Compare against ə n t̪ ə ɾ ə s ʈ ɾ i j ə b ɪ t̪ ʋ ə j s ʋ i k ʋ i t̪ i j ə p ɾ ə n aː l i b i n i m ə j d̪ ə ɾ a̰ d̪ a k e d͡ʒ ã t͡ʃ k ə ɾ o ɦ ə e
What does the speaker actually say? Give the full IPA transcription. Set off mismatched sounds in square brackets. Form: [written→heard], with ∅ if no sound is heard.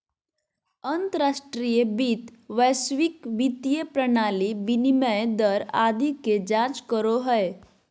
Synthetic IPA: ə n t̪ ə ɾ [ə→a] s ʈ ɾ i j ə b [ɪ→i] t̪ ʋ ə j s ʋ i k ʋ i t̪ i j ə p ɾ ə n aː l i b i n i m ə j d̪ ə ɾ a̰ d̪ [a→i] k e d͡ʒ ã t͡ʃ k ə ɾ o ɦ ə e